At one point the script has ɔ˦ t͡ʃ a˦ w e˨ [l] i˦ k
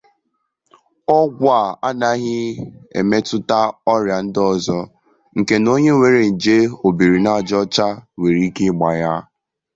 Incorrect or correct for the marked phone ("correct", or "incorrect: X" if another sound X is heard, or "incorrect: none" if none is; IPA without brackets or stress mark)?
incorrect: ɾ